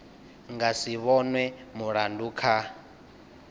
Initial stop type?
plain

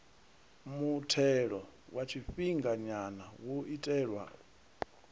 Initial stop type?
aspirated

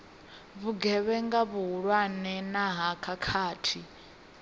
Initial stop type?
plain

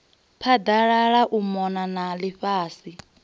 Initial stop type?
aspirated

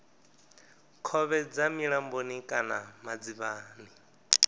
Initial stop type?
aspirated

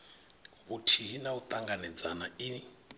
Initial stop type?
aspirated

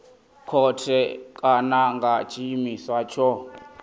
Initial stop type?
aspirated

